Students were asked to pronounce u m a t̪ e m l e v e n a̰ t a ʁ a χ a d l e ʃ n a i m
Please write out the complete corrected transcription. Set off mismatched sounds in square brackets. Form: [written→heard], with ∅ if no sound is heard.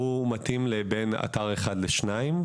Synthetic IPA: u m a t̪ [e→i] m l e [v→b] e n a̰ t a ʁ [a→e] χ a d l e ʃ n a i m

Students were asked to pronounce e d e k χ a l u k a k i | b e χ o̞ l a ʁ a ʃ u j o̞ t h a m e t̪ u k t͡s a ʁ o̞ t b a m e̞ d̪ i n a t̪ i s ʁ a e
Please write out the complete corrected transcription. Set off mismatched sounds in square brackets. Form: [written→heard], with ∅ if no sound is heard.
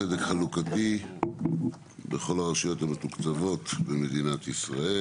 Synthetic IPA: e d e k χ a l u k a [k→t] i | b e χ o̞ l a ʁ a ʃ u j o̞ t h a m e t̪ u k t͡s a [ʁ→v] o̞ t b [a→e] m e̞ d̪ i n a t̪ i s ʁ a e

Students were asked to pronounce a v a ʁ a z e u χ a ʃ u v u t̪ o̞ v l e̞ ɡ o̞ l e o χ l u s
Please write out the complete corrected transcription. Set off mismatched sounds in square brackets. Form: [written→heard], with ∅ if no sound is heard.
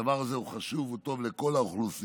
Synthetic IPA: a v a ʁ a z e u χ a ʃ u v u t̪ o̞ v l e̞ [ɡ→k] o̞ l [e→a] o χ l u s

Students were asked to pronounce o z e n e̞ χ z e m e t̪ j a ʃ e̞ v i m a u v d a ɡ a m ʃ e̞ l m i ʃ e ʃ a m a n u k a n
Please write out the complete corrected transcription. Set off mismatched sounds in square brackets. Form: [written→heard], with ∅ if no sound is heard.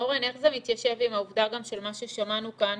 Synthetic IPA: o [z→ʁ] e n e̞ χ z e m [e→i] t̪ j a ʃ e̞ v i m a u v d a ɡ a m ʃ e̞ l m [i→a] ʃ e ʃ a m a n u k a n

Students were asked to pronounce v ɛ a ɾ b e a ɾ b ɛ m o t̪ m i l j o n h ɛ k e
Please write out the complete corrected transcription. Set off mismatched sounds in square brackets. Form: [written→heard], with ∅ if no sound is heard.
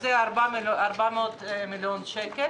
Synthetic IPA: [v→z] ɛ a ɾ b [e→a] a ɾ b [ɛ→a] m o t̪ m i l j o n [h→ʃ] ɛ k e

